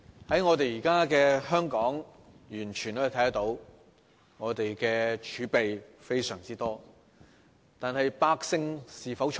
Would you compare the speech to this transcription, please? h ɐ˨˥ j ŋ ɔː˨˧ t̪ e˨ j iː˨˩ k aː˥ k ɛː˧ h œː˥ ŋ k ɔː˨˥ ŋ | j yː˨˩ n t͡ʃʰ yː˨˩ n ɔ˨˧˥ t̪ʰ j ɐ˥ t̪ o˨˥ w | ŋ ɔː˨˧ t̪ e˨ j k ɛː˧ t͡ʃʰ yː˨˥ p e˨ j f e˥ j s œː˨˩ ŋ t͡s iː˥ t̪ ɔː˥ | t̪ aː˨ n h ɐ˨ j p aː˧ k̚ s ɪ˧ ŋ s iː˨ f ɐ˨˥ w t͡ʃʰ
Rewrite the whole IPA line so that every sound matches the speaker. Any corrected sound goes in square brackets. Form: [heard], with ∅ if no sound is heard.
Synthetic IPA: h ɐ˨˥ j ŋ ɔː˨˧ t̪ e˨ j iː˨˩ k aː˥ k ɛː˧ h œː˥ ŋ k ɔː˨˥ ŋ | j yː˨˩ n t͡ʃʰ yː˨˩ n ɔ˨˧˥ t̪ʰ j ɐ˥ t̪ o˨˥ w | ŋ ɔː˨˧ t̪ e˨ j k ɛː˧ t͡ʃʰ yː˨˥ p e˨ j f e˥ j s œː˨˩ ŋ t͡s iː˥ t̪ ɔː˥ | t̪ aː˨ n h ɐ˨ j p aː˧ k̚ s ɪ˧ ŋ s iː˨ f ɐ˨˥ w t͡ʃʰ

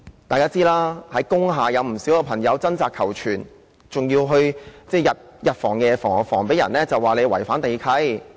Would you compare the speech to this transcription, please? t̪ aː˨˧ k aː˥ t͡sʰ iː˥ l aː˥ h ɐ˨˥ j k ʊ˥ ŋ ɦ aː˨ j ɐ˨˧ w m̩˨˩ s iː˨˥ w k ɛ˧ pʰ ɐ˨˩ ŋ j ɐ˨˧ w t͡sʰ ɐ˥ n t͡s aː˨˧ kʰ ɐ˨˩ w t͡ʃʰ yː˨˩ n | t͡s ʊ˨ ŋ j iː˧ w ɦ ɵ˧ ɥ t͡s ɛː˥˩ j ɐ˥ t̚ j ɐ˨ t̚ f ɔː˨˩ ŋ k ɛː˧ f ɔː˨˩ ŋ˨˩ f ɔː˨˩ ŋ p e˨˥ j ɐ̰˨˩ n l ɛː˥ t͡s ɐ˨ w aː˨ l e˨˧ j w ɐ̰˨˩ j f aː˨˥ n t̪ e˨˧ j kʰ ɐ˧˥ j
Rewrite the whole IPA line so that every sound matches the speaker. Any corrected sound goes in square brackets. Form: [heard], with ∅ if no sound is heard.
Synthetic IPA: t̪ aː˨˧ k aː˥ [t͡s] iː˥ l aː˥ h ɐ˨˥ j k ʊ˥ ŋ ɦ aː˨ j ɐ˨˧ w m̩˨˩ s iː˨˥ w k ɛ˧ pʰ ɐ˨˩ ŋ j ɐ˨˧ w [t͡s] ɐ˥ n t͡s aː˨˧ kʰ ɐ˨˩ w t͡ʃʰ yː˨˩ n | t͡s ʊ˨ ŋ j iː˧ w ɦ ɵ˧ ɥ t͡s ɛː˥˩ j [ɐ˨] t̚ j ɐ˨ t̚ f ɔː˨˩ ŋ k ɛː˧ f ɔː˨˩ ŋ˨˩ f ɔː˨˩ ŋ p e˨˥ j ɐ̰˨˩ n l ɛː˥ t͡s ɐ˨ w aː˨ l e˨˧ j w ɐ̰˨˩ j f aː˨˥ n t̪ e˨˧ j kʰ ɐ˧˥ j

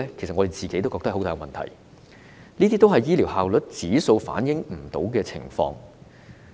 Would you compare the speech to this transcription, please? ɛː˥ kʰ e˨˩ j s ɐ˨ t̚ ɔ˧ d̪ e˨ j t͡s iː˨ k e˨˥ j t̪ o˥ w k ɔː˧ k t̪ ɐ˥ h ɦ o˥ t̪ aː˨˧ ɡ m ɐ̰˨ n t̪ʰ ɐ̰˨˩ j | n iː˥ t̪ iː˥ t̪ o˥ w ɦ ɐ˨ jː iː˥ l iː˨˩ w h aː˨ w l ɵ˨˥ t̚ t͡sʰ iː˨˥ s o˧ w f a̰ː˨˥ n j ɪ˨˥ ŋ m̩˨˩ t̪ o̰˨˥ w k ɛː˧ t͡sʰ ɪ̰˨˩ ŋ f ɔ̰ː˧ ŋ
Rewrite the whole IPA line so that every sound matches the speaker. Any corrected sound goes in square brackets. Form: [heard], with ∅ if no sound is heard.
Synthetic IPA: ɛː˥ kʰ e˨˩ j s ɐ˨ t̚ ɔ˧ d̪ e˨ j t͡s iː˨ k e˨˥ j t̪ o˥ w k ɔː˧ k t̪ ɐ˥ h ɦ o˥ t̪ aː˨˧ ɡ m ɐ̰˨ n t̪ʰ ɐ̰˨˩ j | n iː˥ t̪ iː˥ t̪ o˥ w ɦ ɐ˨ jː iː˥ l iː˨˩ w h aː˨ w l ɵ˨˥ t̚ [t͡s] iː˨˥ s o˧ w f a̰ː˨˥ n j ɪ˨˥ ŋ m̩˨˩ t̪ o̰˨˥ w k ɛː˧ t͡sʰ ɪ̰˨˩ ŋ f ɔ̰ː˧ ŋ

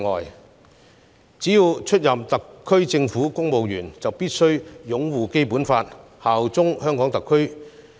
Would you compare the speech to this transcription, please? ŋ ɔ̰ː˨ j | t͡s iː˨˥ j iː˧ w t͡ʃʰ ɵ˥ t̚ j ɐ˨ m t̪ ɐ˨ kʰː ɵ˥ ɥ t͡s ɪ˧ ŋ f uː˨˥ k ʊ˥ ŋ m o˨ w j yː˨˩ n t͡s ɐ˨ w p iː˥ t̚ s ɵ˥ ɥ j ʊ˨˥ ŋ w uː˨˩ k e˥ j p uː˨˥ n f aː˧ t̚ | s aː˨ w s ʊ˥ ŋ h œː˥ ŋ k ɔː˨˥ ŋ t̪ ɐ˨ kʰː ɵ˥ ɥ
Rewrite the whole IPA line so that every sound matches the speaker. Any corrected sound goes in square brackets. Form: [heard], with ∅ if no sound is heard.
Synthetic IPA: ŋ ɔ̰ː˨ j | t͡s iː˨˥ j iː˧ w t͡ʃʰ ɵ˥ t̚ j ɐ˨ m t̪ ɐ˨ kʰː ɵ˥ ɥ t͡s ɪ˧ ŋ f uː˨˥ k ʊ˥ ŋ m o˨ w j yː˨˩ n t͡s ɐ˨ w p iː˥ t̚ s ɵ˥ ɥ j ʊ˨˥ ŋ w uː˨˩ k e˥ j p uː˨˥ n f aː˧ t̚ | [h] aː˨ w [t͡s] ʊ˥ ŋ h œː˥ ŋ k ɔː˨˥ ŋ t̪ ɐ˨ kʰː ɵ˥ ɥ

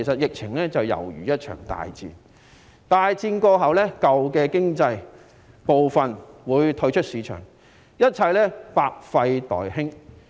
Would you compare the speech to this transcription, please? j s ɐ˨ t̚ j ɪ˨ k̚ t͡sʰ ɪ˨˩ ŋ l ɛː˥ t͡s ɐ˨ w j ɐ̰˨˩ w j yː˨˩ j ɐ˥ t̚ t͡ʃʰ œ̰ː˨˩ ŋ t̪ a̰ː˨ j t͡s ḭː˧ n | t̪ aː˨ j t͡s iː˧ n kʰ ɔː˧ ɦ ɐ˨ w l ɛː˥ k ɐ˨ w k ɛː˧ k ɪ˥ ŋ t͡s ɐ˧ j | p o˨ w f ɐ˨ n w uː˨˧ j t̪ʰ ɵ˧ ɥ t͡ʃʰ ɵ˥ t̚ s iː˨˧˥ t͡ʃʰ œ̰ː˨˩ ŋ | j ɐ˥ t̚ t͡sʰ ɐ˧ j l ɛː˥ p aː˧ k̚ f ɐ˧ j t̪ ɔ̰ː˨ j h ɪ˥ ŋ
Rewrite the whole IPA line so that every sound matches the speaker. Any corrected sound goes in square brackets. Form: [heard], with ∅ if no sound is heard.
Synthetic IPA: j s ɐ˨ t̚ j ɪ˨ k̚ t͡sʰ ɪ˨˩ ŋ l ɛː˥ t͡s ɐ˨ w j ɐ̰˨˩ w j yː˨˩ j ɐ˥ t̚ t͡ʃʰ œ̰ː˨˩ ŋ t̪ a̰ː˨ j t͡s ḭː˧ n | t̪ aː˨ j t͡s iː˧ n [k] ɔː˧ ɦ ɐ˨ w l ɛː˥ k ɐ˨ w k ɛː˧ k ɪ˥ ŋ t͡s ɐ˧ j | p o˨ w f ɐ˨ n w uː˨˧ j t̪ʰ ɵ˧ ɥ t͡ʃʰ ɵ˥ t̚ s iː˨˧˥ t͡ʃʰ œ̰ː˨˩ ŋ | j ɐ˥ t̚ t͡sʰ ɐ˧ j l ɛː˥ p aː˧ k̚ f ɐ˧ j t̪ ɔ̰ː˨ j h ɪ˥ ŋ

